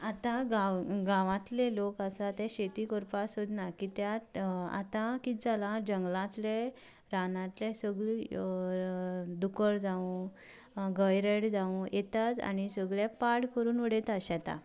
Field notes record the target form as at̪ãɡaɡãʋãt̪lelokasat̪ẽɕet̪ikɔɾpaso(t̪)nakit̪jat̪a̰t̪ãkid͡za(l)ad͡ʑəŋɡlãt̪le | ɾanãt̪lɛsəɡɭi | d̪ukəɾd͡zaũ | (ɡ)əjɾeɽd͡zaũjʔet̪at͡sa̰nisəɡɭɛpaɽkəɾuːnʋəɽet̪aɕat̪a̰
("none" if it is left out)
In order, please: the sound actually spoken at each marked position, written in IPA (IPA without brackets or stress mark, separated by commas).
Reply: d̪, l, ɡ